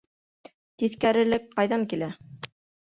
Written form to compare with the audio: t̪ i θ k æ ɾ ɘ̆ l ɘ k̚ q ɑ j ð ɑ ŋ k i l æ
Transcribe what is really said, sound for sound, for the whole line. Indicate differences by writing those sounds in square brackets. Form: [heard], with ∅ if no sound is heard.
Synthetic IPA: t̪ i θ k æ ɾ ɘ̆ l ɘ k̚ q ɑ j ð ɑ ŋ k i l æ